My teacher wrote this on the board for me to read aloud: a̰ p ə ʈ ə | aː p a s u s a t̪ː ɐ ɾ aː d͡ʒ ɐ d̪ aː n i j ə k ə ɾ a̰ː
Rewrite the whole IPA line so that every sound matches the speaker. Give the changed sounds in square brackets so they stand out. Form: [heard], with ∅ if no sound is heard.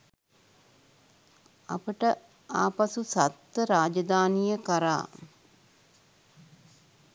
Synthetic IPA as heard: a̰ p ə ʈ ə | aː p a s u s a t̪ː [ə] ɾ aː d͡ʒ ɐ d̪ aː n i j ə k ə ɾ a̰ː